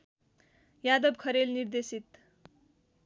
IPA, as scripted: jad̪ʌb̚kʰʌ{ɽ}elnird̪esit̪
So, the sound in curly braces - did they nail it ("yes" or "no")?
no